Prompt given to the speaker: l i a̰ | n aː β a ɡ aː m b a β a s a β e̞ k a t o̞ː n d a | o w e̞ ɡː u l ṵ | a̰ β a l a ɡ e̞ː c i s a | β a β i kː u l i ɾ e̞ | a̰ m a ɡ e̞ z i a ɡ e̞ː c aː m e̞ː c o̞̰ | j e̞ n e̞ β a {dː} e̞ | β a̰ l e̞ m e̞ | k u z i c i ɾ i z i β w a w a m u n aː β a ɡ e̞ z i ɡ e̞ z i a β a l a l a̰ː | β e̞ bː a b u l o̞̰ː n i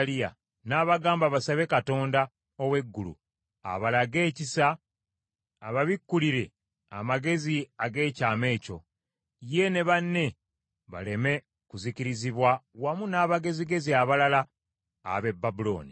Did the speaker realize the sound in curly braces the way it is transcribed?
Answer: no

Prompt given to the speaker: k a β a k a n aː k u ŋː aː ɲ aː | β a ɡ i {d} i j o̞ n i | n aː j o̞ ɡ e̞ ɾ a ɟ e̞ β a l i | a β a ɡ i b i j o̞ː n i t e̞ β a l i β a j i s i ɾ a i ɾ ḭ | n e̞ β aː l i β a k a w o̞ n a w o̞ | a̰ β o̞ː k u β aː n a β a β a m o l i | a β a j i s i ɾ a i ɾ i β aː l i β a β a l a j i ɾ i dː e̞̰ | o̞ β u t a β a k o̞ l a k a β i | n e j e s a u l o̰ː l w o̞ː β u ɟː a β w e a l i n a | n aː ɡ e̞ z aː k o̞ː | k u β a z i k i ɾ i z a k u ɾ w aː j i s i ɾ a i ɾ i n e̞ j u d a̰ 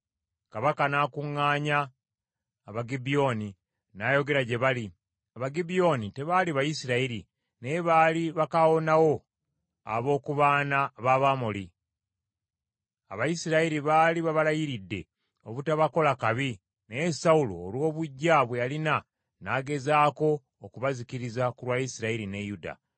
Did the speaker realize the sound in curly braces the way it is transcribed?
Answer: no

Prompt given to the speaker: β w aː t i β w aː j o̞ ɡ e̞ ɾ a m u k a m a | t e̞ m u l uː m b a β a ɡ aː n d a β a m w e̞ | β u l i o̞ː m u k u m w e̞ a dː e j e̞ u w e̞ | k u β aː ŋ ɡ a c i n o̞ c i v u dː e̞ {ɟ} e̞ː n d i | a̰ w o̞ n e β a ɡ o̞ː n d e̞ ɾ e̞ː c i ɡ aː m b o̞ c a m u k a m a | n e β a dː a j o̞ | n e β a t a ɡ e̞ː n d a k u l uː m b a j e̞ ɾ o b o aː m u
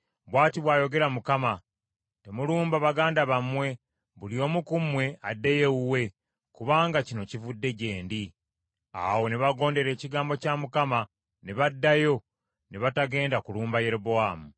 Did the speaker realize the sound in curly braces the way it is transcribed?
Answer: yes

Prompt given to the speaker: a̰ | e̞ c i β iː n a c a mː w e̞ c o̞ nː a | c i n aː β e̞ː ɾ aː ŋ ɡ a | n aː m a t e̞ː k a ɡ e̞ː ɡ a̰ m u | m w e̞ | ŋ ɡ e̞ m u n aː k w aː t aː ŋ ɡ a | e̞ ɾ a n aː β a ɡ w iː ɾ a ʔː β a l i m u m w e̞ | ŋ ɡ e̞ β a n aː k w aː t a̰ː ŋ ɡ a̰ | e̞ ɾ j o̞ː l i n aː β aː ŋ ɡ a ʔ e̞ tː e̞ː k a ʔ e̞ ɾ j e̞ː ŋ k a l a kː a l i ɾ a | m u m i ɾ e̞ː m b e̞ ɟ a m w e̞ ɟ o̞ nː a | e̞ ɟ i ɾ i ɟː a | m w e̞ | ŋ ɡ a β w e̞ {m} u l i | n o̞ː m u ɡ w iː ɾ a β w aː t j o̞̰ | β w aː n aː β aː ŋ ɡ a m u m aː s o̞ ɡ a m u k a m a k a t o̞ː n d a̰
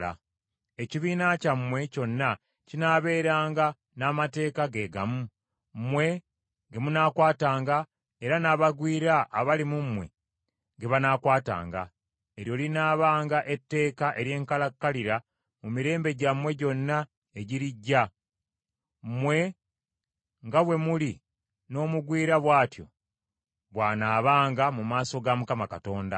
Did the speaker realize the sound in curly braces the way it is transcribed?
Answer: yes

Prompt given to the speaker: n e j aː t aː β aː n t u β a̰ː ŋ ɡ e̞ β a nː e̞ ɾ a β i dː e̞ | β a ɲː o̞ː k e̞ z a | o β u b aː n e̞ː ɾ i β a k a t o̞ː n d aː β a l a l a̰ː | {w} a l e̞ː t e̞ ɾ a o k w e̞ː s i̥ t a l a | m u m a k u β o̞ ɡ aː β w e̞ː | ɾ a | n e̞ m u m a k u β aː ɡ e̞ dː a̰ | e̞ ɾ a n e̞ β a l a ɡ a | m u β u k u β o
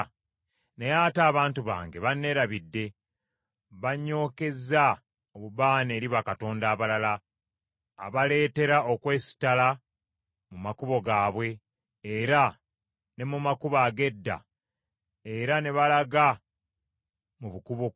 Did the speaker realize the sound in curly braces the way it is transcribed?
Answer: no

